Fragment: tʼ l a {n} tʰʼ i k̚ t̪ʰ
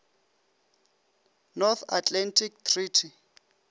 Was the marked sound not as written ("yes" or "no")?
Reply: no